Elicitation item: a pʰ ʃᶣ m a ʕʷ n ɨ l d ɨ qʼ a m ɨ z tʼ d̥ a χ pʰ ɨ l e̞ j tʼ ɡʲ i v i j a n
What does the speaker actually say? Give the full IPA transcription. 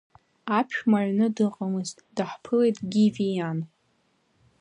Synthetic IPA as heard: a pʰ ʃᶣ m a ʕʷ n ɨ d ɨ qʼ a m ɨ z tʼ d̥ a ħ pʰ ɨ l e̞ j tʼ ɡʲ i v i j a n